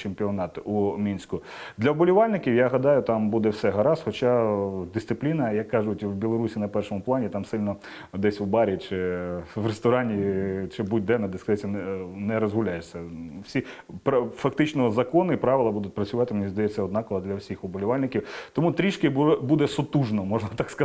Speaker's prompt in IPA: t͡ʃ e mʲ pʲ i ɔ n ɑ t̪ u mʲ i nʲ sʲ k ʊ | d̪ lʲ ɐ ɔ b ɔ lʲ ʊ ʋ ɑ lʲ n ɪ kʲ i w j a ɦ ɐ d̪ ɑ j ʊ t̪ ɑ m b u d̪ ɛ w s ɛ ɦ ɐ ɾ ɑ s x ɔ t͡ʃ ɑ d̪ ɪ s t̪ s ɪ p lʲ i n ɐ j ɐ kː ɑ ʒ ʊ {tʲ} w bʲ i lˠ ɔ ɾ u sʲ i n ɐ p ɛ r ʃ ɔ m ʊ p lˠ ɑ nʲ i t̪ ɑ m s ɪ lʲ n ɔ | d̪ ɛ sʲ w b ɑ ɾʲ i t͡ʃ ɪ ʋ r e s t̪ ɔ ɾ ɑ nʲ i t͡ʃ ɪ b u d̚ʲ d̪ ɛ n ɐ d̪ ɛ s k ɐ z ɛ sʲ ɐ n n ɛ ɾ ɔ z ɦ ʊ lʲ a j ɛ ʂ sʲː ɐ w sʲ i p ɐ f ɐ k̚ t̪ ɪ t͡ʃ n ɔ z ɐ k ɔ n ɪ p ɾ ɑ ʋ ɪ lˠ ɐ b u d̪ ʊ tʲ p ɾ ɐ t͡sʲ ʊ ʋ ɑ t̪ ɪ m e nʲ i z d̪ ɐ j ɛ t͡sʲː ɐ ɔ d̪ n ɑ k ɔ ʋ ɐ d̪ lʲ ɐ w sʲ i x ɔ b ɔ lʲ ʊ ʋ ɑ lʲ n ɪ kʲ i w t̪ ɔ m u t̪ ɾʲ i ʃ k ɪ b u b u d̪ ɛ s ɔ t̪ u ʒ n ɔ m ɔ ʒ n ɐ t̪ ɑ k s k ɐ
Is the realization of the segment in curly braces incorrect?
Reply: no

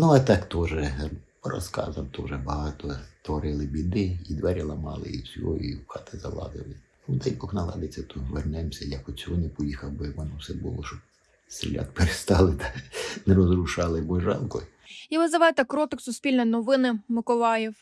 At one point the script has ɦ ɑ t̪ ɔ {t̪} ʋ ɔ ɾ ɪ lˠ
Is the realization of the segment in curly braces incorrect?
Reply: no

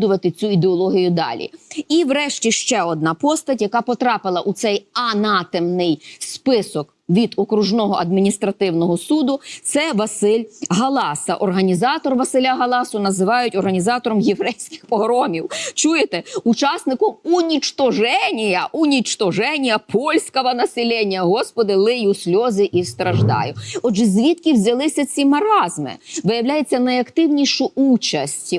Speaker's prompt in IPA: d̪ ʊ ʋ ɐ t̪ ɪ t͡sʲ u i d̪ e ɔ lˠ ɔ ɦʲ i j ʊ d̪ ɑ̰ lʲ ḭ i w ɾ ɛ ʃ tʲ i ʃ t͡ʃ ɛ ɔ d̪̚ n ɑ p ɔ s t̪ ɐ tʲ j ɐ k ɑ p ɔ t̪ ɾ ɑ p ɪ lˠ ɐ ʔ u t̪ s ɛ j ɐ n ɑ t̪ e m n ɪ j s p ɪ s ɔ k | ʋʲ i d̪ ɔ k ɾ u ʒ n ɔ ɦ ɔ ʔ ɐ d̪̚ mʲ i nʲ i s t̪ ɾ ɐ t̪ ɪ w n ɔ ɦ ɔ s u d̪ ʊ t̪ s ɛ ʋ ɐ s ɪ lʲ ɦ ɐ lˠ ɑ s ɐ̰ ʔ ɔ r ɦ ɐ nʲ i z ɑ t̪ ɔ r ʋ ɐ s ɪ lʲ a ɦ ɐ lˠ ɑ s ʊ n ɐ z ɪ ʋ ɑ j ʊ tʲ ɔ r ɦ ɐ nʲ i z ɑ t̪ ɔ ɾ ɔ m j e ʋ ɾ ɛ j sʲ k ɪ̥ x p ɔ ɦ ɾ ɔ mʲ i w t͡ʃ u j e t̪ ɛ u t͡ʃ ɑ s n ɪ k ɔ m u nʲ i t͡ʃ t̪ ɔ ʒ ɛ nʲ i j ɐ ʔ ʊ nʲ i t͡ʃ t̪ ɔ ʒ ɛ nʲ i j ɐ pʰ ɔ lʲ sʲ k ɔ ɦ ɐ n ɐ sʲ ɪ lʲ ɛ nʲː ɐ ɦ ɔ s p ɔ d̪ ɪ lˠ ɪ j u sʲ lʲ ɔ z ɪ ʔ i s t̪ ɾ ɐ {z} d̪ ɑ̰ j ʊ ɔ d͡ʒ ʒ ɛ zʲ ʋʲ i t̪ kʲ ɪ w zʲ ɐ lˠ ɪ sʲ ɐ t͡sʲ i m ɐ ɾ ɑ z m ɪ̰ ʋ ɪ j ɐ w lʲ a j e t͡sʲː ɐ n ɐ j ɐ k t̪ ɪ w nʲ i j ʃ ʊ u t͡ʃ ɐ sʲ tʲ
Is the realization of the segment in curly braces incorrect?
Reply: yes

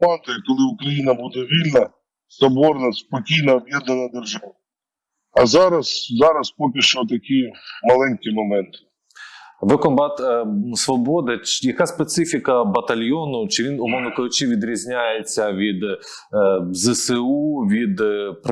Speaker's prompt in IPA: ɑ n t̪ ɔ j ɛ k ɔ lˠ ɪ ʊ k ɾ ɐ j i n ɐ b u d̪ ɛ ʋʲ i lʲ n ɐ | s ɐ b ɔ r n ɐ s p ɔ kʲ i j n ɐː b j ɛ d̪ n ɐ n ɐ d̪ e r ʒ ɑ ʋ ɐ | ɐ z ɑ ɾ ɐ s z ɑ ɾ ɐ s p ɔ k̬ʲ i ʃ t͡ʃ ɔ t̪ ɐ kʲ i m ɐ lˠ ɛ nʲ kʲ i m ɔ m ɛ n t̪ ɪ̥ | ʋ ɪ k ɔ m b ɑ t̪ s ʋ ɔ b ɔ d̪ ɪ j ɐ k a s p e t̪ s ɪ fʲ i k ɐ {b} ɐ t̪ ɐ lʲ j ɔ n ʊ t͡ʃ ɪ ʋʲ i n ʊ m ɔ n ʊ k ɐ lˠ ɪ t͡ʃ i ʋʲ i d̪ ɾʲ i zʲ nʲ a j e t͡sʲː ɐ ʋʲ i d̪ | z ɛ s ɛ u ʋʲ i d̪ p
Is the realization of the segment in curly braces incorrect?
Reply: no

